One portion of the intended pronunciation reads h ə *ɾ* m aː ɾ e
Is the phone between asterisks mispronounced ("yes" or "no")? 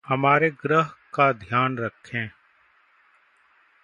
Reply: yes